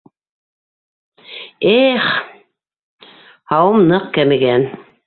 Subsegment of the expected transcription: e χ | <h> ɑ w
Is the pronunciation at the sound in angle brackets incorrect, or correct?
correct